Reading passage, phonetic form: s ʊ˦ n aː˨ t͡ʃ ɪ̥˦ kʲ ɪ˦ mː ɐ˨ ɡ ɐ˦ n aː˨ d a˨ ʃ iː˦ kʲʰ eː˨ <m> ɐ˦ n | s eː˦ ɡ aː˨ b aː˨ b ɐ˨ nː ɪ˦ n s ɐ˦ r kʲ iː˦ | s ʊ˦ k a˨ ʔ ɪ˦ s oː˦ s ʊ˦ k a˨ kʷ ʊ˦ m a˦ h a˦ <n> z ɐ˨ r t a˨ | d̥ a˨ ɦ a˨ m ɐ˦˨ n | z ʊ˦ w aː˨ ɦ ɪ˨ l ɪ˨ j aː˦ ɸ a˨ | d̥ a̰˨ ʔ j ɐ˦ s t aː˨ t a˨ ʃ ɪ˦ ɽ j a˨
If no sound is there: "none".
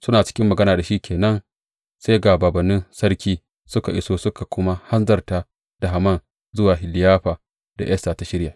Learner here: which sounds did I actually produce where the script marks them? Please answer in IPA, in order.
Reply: n, n

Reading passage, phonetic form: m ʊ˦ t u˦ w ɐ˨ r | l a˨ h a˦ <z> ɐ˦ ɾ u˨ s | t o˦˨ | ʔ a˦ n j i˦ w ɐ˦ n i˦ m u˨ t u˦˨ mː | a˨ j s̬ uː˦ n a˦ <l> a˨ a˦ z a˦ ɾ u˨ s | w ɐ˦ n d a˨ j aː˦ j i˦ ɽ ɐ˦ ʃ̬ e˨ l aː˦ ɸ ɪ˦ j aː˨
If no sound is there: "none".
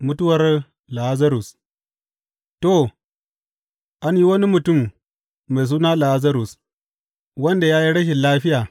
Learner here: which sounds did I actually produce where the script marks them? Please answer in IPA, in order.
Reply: z, l

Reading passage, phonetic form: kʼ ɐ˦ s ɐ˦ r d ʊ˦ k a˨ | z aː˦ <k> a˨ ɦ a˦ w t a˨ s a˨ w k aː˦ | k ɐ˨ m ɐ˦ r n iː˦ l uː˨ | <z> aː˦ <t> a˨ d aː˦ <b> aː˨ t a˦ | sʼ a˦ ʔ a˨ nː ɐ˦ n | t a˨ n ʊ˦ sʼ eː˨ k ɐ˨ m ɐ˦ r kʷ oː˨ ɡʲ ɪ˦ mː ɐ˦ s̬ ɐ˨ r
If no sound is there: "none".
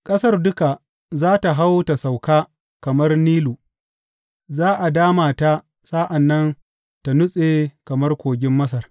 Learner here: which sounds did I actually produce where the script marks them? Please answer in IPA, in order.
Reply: t, z, ʔ, m

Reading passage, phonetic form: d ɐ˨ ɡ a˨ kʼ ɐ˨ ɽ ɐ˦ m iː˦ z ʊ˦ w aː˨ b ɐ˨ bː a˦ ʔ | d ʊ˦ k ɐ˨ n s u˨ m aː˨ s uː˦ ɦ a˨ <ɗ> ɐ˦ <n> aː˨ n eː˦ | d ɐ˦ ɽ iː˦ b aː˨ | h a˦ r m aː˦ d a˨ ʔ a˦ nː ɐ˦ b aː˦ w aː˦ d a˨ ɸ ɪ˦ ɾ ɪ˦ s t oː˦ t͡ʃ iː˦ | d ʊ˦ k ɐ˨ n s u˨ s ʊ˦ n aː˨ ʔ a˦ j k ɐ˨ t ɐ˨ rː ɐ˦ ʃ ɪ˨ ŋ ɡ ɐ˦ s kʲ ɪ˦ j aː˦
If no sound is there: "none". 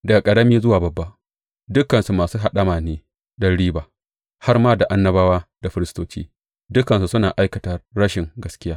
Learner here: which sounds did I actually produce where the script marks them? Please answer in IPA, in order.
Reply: ɗ, m

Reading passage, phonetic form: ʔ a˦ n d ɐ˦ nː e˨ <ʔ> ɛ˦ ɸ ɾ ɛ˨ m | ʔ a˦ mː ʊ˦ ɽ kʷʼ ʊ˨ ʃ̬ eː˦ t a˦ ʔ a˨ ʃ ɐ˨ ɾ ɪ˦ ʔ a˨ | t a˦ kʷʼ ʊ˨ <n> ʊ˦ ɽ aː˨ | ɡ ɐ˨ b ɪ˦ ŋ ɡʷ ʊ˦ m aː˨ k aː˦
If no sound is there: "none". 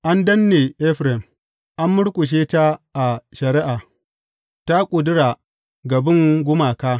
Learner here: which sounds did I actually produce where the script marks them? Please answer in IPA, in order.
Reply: ʔ, d

